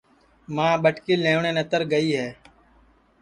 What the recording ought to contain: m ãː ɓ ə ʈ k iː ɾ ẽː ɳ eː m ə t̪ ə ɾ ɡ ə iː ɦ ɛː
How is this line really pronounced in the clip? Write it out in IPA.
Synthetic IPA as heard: m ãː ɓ ə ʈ k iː l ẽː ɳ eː n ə t̪ ə ɾ ɡ ə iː ɦ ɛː